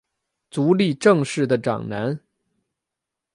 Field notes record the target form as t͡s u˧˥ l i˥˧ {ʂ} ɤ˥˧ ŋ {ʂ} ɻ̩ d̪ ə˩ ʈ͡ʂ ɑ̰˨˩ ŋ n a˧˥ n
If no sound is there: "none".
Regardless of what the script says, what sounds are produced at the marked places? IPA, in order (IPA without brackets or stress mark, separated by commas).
ʈ͡ʂ, ʂ